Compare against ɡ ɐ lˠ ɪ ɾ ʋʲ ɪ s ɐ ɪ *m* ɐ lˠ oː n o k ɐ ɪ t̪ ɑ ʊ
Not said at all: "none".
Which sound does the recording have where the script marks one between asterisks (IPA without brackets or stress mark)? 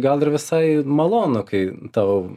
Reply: m